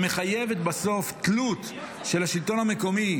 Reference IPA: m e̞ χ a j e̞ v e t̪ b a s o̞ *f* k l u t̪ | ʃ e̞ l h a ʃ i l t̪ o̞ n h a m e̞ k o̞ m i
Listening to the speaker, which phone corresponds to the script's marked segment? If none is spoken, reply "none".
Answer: f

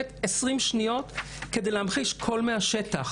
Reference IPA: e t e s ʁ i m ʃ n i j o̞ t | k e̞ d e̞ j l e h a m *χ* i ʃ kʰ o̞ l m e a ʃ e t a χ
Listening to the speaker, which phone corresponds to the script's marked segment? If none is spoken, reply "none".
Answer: χ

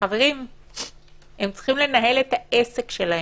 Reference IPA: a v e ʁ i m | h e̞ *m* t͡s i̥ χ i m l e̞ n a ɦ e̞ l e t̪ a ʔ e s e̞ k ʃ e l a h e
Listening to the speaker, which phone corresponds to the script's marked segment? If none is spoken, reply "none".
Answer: m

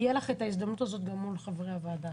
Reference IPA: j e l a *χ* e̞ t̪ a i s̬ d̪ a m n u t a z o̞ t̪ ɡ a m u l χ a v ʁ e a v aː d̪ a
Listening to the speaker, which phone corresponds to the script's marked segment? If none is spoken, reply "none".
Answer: χ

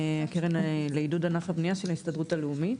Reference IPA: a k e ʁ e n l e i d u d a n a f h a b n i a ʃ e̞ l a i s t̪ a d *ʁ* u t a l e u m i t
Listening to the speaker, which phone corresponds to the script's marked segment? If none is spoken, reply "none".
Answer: ʁ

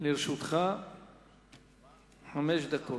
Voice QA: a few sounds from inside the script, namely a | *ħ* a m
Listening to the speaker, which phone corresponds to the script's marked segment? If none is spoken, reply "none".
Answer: ħ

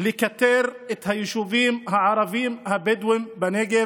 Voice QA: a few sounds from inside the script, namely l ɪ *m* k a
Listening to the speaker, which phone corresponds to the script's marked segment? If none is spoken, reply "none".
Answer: none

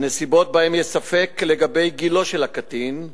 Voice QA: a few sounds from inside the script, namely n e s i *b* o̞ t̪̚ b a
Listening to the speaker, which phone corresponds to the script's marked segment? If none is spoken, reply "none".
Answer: b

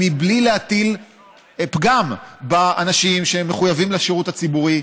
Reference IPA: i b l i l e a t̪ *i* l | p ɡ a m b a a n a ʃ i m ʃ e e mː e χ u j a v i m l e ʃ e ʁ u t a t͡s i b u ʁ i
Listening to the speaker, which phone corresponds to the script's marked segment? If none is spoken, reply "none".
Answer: i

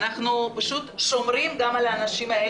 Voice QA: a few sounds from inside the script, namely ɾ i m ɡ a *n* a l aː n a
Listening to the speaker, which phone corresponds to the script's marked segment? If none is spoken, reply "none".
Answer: m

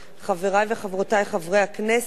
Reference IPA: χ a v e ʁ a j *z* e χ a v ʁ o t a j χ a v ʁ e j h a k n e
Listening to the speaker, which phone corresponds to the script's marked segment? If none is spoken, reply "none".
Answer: v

